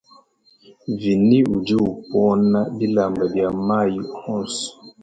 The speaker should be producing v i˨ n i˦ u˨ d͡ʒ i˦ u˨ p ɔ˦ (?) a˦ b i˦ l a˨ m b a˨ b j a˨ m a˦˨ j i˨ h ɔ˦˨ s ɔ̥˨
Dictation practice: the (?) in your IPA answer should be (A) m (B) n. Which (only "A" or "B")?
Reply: B